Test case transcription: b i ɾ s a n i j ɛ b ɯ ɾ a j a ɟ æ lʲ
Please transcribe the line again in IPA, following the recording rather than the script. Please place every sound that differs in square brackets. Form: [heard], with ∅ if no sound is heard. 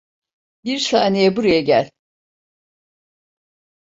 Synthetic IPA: b i ɾ s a n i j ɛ b [u] ɾ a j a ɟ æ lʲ